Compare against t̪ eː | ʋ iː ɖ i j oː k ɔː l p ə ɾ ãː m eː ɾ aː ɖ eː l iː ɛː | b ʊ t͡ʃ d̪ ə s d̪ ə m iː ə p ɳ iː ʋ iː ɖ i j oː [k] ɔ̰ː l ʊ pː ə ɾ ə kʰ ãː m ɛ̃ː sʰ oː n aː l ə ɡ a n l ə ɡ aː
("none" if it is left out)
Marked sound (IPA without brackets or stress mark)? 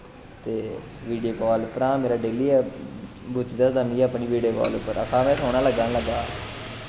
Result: k